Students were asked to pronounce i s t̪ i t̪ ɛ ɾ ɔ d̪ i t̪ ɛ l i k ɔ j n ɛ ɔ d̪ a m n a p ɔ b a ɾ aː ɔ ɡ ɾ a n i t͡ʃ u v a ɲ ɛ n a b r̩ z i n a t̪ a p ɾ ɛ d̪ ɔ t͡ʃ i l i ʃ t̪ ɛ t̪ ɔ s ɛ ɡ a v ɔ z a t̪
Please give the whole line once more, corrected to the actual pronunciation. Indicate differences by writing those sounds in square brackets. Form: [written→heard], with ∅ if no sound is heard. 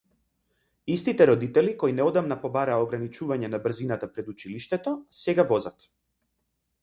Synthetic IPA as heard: i s t̪ i t̪ ɛ ɾ ɔ d̪ i t̪ ɛ l i k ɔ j n ɛ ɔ d̪ a m n a p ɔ b a ɾ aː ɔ ɡ ɾ a n i t͡ʃ u v a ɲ ɛ n a b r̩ z i n a t̪ a p ɾ ɛ d̪ [ɔ→u] t͡ʃ i l i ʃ t̪ ɛ t̪ ɔ s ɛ ɡ a v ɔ z a t̪